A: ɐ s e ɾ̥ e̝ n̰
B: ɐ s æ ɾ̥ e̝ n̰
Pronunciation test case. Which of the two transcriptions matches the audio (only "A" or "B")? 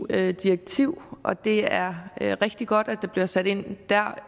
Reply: B